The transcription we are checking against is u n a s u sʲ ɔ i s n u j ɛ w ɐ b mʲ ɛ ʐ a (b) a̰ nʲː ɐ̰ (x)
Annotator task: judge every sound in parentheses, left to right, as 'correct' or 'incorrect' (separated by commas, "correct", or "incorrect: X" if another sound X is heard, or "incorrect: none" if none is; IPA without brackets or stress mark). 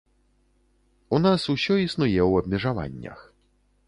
incorrect: v, correct